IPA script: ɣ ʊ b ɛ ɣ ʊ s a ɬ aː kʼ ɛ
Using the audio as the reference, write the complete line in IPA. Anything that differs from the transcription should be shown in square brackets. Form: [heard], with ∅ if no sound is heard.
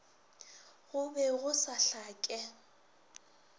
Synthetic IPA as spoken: ɣ ʊ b ɛ ɣ ʊ s a ɬ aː kʼ ɛ